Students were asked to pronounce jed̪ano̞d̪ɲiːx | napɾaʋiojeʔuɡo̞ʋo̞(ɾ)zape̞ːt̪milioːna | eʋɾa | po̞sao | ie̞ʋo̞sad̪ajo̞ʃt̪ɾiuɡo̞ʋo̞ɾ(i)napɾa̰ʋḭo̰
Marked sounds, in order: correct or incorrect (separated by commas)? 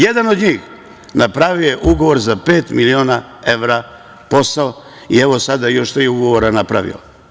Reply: correct, incorrect